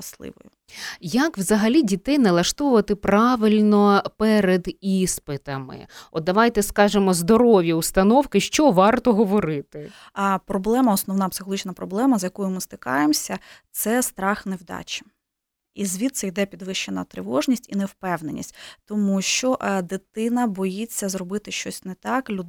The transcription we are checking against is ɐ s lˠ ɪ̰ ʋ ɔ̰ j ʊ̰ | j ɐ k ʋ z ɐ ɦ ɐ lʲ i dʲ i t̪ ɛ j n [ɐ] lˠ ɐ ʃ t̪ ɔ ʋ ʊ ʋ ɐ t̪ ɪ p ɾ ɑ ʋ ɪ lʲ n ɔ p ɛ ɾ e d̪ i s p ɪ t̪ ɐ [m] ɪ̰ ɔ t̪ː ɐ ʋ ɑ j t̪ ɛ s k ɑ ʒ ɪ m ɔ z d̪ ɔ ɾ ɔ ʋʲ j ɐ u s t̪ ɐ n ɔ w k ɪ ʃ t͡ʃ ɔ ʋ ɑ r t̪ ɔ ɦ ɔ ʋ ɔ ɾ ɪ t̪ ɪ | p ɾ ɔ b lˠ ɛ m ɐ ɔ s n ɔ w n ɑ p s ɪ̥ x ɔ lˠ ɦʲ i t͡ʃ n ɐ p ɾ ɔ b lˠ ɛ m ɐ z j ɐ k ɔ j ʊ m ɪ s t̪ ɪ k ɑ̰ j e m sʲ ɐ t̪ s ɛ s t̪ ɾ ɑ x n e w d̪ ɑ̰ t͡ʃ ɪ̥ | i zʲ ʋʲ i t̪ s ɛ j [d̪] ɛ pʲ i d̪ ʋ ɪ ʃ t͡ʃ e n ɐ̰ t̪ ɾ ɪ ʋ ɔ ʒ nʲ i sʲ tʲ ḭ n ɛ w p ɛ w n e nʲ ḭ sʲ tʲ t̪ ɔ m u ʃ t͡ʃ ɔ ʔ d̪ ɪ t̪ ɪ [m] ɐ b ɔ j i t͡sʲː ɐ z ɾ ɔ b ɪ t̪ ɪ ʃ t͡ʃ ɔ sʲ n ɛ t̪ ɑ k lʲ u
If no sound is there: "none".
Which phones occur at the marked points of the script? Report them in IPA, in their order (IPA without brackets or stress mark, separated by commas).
ɐ, m, d̪, n